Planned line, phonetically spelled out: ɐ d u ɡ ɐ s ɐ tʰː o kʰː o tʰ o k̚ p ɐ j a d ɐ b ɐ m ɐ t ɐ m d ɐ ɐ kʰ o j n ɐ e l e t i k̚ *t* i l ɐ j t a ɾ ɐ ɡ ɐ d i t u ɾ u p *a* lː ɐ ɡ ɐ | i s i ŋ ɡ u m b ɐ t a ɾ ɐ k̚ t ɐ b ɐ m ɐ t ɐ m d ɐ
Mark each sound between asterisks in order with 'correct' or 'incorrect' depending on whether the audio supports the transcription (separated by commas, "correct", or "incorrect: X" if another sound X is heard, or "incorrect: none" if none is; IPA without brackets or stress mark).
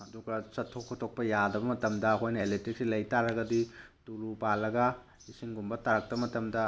incorrect: s, correct